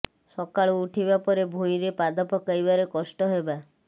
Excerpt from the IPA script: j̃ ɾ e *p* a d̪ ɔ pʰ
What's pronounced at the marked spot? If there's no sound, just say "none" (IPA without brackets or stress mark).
p